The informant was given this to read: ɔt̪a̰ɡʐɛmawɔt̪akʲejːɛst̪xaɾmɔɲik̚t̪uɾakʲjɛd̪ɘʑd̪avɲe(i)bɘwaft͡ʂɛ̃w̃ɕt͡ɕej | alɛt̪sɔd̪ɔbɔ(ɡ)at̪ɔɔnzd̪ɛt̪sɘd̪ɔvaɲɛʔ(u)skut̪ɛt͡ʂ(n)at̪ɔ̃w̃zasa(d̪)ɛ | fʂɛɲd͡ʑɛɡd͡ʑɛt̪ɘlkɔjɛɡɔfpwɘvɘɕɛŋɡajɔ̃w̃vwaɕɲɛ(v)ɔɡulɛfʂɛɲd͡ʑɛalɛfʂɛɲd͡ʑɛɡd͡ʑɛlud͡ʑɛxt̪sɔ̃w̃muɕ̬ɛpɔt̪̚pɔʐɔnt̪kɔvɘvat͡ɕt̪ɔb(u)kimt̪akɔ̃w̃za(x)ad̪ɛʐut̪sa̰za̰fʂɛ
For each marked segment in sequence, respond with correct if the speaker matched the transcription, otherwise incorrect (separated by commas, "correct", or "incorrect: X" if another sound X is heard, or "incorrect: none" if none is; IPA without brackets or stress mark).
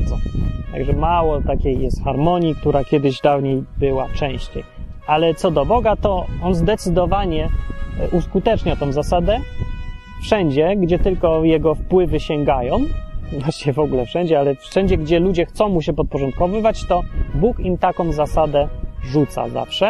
incorrect: j, correct, correct, incorrect: ɲ, correct, correct, correct, incorrect: s